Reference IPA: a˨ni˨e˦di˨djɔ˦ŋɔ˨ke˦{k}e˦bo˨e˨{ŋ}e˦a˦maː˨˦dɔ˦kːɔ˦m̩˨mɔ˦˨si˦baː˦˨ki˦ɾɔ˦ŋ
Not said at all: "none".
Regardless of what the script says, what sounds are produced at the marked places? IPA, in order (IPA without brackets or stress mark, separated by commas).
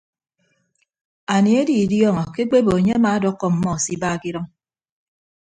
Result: k͡p, ɲ